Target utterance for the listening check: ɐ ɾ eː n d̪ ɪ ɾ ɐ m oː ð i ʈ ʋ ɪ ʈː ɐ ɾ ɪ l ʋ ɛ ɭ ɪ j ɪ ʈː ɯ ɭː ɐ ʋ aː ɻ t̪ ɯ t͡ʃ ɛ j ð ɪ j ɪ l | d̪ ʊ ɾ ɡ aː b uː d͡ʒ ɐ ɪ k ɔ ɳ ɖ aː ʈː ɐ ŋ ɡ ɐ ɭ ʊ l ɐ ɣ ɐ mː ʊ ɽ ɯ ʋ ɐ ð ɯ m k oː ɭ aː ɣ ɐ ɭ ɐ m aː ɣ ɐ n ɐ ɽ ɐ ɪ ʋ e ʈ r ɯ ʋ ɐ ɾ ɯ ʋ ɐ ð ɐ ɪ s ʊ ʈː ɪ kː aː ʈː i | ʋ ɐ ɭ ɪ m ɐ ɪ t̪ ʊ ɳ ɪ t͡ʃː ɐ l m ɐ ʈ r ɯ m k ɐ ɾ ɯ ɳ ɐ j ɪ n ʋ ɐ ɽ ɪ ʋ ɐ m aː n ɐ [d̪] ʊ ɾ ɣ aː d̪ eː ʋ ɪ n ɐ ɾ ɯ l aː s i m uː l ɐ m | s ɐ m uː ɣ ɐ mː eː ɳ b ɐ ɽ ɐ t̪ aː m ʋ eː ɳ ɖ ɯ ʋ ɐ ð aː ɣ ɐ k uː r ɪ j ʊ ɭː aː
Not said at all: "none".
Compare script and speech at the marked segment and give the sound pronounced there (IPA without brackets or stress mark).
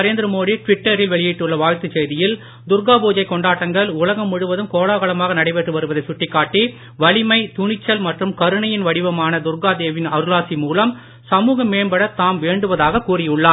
d̪